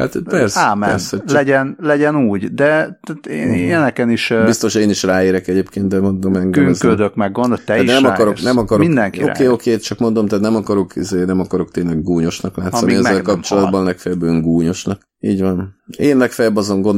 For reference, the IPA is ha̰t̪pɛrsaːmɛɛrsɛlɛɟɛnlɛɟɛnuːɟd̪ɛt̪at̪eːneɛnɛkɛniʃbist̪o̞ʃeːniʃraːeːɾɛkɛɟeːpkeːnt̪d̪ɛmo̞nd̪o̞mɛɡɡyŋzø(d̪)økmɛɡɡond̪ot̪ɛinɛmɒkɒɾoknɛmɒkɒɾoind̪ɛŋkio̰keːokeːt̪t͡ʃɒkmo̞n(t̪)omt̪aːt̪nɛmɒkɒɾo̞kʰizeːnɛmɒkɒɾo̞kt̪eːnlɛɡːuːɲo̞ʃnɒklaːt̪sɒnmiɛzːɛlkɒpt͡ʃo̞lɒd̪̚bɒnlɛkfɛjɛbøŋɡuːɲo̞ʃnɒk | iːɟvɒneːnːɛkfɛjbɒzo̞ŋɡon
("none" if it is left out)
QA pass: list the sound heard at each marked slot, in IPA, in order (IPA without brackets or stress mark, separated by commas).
d̪, d̪